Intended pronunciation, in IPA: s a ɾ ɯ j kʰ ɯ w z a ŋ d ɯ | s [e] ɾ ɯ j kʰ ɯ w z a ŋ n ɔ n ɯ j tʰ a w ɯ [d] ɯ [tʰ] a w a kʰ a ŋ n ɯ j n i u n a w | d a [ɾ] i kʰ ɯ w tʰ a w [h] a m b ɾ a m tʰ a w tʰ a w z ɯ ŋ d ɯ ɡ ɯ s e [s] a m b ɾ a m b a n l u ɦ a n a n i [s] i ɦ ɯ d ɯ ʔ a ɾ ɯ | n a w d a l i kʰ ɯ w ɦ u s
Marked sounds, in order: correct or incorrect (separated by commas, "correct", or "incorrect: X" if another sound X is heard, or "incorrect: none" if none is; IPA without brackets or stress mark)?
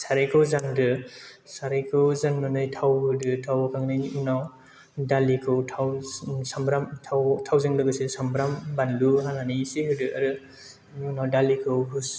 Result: incorrect: a, correct, correct, incorrect: l, incorrect: s, correct, correct